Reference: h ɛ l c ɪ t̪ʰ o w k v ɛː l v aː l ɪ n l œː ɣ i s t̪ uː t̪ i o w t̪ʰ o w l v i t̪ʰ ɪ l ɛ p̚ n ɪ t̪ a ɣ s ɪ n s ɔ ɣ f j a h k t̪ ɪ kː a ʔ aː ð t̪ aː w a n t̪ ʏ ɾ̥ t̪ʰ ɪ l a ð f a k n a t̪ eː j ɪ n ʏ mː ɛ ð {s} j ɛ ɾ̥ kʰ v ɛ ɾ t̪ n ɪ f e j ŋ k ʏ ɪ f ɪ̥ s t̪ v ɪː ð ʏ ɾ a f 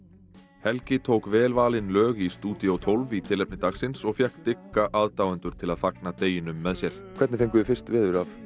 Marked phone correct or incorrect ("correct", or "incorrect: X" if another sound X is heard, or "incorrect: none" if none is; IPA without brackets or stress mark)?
correct